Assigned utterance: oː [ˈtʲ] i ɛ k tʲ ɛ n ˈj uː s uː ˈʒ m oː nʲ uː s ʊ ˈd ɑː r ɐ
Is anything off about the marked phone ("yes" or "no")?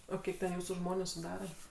yes